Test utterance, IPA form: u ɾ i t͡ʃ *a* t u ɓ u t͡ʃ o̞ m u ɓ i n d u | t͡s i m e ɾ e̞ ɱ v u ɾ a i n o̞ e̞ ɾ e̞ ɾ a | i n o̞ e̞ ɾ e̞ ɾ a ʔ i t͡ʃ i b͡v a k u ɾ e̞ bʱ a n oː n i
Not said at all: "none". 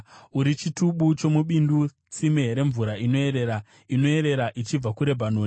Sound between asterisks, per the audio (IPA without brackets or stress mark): i